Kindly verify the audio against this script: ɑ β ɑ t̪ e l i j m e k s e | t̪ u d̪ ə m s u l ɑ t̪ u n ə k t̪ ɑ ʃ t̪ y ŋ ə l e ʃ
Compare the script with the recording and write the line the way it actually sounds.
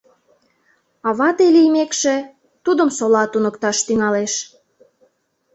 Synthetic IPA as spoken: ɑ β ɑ t̪ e l i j m e k ʃ e | t̪ u d̪ ə m s o l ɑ t̪ u n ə k t̪ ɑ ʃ t̪ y ŋ ɑ l e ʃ

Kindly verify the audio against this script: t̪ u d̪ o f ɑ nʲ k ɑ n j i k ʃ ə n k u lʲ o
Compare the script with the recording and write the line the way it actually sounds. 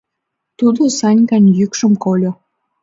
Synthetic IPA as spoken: t̪ u d̪ o s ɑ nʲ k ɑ n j y k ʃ ə m k o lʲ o

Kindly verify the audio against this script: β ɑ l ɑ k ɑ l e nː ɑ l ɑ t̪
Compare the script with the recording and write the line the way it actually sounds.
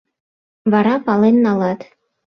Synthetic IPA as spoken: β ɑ ɾ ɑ p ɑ l e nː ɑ l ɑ t̪

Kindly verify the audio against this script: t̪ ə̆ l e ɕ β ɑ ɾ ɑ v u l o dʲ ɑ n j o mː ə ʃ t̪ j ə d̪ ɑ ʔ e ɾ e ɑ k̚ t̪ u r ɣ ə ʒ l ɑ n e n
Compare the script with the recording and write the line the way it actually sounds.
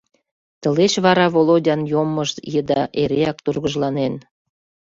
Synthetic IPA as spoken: t̪ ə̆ l e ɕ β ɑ ɾ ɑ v o l o dʲ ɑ n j o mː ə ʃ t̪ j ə d̪ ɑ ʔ e ɾ e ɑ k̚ t̪ u r ɣ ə ʒ l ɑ n e n

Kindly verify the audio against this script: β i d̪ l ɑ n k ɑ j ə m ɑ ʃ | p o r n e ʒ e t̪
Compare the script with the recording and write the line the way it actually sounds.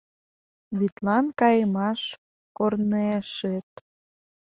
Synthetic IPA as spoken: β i t̪ l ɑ n k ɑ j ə m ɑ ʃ | k o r n e ʃ e t̪

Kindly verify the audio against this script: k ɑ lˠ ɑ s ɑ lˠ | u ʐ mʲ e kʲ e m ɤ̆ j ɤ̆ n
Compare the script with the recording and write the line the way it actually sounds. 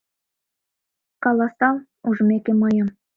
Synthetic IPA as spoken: k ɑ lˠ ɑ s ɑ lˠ | u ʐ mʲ e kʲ e m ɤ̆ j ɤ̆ m

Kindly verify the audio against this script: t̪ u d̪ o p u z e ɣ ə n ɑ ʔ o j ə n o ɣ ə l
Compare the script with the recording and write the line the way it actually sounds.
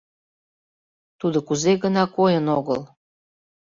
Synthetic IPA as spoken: t̪ u d̪ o k u z e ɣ ə n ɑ k o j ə n o ɣ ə l

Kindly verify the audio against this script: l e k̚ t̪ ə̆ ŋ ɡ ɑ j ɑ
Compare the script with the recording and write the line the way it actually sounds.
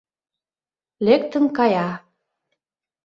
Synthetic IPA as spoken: l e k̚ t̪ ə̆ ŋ k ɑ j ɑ

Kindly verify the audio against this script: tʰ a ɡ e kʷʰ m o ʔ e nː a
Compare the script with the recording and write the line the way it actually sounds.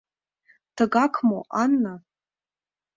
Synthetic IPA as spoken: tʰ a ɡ a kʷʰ m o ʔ a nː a

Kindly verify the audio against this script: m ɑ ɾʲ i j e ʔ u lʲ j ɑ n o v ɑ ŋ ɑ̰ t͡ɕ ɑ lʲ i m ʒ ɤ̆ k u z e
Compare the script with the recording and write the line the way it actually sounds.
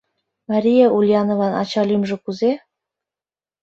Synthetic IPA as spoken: m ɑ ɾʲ i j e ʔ u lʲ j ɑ n o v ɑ n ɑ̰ t͡ɕ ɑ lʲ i m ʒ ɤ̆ k u z e

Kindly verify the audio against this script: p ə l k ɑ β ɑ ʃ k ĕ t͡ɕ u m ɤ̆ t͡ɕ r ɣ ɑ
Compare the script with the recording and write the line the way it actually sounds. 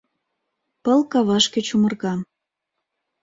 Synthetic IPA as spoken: p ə l k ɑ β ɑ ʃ k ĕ t͡ɕ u m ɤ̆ r ɣ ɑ

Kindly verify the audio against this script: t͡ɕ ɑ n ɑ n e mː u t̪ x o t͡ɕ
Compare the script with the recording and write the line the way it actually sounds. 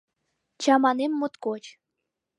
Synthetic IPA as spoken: t͡ɕ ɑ m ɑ n e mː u t̪ k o t͡ɕ

